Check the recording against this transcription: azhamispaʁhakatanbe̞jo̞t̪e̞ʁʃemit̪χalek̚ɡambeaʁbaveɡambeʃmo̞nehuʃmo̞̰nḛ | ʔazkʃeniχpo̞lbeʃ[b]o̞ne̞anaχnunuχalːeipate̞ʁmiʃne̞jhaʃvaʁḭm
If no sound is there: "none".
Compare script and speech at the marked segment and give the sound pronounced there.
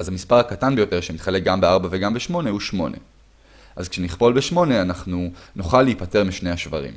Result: m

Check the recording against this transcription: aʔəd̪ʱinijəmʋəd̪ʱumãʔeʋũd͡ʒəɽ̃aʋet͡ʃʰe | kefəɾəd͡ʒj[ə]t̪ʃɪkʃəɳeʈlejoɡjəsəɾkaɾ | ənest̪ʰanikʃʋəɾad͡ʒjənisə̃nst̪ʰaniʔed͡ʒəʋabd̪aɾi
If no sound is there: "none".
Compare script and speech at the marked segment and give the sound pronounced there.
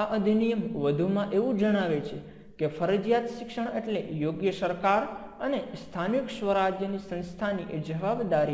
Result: a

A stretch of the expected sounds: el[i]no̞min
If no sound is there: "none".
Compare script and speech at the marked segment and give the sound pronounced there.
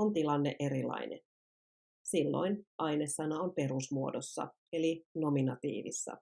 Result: i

